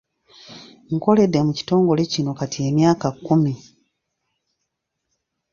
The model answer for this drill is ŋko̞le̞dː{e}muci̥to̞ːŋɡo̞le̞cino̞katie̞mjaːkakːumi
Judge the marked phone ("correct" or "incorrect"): correct